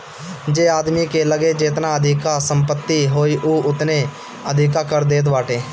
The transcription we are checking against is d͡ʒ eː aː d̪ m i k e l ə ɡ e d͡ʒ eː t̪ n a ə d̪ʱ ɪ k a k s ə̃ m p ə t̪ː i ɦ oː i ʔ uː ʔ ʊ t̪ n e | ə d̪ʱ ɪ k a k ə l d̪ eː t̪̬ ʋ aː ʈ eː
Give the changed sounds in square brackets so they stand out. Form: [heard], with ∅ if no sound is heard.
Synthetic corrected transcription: d͡ʒ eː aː d̪ m i k e l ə ɡ e d͡ʒ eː t̪ n a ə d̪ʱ ɪ k a [∅] s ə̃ m p ə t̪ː i ɦ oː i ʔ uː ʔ ʊ t̪ n e | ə d̪ʱ ɪ k a k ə [ɾ] d̪ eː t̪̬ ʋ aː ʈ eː

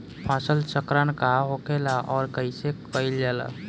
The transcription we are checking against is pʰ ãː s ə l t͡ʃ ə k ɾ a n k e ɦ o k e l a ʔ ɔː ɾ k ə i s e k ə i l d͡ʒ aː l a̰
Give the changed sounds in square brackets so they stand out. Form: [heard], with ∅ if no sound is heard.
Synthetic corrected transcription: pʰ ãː s ə l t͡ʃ ə k ɾ a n k [a] ɦ o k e l a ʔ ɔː ɾ k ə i s e k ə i l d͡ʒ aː l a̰

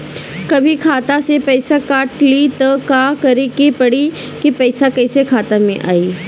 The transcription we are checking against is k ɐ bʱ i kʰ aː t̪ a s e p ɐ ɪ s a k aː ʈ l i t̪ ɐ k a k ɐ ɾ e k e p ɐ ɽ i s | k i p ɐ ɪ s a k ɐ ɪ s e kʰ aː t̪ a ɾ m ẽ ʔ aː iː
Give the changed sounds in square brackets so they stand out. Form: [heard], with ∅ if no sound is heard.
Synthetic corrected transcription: k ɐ bʱ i kʰ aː t̪ a s e p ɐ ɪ s a k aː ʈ l i t̪ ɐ k a k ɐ ɾ e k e p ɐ ɽ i [∅] | k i p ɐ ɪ s a k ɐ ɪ s e kʰ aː t̪ a [∅] m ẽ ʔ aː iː

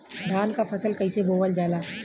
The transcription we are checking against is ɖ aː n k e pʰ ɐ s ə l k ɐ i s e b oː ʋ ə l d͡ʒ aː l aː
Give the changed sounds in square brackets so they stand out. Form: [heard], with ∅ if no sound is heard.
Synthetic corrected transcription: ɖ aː n k [a] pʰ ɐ s ə l k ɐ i s e b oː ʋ ə l d͡ʒ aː l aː

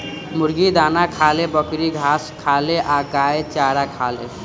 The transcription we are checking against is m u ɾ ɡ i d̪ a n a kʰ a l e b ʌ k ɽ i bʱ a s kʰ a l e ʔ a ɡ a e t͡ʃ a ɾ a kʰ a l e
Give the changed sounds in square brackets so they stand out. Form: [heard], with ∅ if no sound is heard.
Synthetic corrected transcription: m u ɾ ɡ i d̪ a n a kʰ a l e b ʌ k [ɾ] i [ɡʱ] a s kʰ a l e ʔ a ɡ a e t͡ʃ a ɾ a kʰ a l e

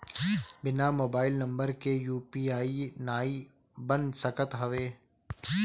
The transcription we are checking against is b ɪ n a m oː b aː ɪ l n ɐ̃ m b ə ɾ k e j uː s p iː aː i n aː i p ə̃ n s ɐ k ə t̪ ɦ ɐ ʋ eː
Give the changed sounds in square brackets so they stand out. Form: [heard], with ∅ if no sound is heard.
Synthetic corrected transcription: b ɪ n a m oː b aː ɪ l n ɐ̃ m b ə ɾ k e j uː [∅] p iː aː i n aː i [b] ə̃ n s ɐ k ə t̪ ɦ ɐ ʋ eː

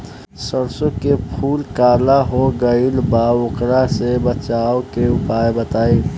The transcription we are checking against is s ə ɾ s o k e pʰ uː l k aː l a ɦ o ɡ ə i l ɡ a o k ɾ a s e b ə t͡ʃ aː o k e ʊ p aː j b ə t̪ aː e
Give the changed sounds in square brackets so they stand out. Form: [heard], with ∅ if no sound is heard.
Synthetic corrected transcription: s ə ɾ s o k e pʰ uː l k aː l a ɦ o ɡ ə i l [b] a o k ɾ a s e b ə t͡ʃ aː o k e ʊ p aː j b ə t̪ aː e

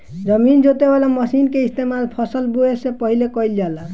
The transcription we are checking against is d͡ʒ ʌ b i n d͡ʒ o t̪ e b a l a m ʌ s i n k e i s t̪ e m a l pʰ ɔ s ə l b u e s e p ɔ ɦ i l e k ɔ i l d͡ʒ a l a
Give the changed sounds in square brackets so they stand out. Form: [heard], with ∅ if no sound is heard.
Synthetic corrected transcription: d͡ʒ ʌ [m] i n d͡ʒ o t̪ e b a l a m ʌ s i n k e i s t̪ e m a l pʰ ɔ s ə l b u e s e p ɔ ɦ i l e k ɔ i l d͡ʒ a l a

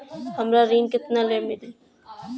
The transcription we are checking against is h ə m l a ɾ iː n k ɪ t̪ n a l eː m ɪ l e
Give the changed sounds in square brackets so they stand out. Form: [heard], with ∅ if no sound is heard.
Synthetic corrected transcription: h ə m [ɾ] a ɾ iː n k ɪ t̪ n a l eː m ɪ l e

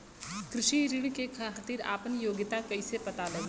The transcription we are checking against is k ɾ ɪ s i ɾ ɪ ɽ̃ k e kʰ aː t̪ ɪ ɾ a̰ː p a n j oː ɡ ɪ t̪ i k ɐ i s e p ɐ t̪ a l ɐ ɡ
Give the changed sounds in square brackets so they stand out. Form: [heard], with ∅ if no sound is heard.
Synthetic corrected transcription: k ɾ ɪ [ʃ] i ɾ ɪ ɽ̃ k e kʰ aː t̪ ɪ ɾ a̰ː p [ə] n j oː ɡ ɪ t̪ [a] k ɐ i s e p ɐ t̪ a l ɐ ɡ

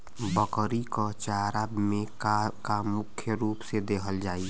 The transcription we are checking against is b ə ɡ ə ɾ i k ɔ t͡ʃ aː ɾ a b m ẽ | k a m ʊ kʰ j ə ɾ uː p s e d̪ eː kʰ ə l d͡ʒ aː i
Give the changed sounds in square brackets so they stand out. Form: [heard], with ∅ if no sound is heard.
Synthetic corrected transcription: b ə [k] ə ɾ i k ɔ t͡ʃ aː ɾ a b m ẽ | k a m ʊ kʰ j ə ɾ uː p s e d̪ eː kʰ ə l d͡ʒ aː i

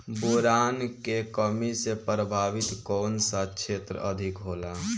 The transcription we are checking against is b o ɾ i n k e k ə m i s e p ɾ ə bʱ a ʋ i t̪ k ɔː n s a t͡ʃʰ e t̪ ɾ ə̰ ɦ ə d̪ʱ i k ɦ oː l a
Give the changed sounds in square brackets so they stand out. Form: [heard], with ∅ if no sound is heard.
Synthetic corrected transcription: b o ɾ [a] n k e k ə m i s e p ɾ ə bʱ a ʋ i t̪ k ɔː n s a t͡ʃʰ e t̪ ɾ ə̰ [∅] ə d̪ʱ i k ɦ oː l a

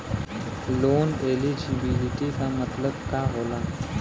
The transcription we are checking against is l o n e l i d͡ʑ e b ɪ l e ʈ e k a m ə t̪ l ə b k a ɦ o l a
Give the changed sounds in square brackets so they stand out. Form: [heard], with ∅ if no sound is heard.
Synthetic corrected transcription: l o n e l i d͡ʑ [i] b [i] l [i] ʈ [i] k a m ə t̪ l ə b k a ɦ o l a

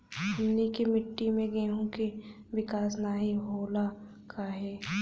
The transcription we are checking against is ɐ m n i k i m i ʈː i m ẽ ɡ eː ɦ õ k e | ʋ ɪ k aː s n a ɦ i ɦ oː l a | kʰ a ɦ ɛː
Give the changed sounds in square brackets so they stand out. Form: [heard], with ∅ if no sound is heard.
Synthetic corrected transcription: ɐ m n i k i m [ɪ] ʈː i m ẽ ɡ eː ɦ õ k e | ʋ ɪ k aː s n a ɦ i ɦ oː l a | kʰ a ɦ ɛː

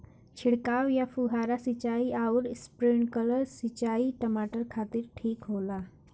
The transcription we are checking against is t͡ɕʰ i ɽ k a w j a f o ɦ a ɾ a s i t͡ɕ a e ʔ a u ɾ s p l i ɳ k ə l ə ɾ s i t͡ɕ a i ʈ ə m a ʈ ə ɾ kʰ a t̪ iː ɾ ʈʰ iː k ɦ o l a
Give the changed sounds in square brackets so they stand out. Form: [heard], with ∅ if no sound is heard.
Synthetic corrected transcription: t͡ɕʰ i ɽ k a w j a f [u] ɦ a ɾ a s i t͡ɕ a [i] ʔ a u ɾ s p [ɾ] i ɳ k ə l ə ɾ s i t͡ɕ a i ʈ ə m a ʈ ə ɾ kʰ a t̪ iː ɾ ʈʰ iː k ɦ o l a

